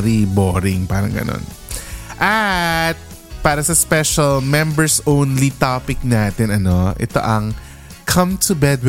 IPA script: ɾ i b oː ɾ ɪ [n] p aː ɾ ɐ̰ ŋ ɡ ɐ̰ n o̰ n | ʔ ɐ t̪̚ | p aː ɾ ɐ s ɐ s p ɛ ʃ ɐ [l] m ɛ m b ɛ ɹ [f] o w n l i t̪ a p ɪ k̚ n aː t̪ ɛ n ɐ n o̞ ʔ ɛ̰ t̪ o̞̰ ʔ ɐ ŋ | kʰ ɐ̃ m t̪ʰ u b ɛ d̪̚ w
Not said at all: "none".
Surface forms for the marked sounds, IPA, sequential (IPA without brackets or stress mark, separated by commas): ŋ, l, s